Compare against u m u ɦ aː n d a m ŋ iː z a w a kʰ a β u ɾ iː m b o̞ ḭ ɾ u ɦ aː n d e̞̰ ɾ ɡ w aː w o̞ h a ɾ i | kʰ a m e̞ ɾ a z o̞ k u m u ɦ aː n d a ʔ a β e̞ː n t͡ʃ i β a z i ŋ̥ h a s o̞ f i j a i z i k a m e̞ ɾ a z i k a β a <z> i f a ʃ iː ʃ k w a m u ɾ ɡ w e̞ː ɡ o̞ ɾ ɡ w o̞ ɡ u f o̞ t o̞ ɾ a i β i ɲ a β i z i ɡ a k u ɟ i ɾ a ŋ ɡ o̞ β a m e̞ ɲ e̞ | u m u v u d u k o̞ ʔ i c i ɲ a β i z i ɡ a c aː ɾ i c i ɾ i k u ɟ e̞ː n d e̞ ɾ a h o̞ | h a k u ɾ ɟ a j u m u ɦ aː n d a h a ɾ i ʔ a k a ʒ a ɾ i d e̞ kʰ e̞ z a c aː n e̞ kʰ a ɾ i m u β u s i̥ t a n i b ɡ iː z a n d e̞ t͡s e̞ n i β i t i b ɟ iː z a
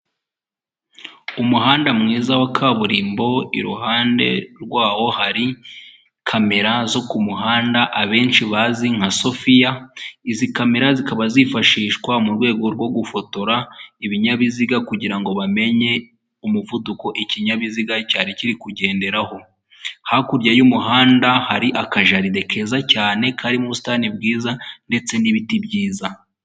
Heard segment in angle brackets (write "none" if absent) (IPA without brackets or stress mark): z